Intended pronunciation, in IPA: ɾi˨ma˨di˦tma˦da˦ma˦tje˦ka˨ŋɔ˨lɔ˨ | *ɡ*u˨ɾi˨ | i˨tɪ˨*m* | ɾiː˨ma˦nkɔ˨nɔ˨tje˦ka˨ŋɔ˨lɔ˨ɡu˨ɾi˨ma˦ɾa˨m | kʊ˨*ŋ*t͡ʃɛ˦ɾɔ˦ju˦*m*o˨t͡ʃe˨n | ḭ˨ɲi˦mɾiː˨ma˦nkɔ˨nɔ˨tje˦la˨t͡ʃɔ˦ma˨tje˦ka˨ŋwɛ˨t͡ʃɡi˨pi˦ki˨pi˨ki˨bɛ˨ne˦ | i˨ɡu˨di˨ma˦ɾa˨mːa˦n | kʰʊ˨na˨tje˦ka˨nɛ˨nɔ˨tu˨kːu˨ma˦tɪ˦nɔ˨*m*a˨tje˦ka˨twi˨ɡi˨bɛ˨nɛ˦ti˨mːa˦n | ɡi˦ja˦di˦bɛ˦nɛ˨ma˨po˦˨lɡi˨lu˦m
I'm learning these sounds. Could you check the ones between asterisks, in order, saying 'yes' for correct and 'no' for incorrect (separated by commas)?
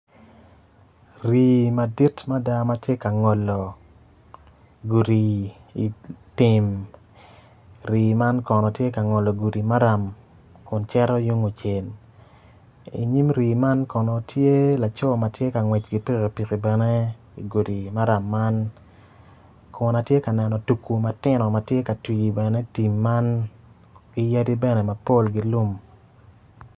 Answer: yes, yes, no, no, yes